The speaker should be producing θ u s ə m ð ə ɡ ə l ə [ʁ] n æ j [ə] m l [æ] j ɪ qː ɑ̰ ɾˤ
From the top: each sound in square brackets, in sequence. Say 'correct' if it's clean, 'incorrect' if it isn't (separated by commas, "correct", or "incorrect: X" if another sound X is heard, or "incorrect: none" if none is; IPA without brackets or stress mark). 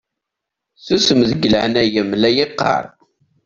incorrect: ʕ, correct, correct